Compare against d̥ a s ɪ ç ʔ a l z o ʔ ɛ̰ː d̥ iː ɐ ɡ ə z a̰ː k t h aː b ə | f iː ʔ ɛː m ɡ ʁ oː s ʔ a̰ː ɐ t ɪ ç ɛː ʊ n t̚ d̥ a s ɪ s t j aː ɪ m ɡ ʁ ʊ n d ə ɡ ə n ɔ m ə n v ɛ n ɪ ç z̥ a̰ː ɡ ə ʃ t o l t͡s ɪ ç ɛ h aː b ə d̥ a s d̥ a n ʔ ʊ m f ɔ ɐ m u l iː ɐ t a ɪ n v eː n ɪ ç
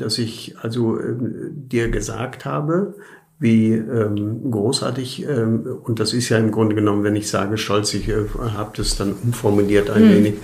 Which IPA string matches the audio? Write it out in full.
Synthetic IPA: d̥ a s ɪ ç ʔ a l z o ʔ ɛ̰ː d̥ iː ɐ ɡ ə z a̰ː k t h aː b ə | v iː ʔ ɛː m ɡ ʁ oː s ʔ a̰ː ɐ t ɪ ç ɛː ʊ n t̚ d̥ a s ɪ s t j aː ɪ m ɡ ʁ ʊ n d ə ɡ ə n ɔ m ə n v ɛ n ɪ ç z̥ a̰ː ɡ ə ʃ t ɔ l t͡s ɪ ç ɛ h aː b ə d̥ a s d̥ a n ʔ ʊ m f ɔ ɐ m u l iː ɐ t a ɪ n v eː n ɪ ç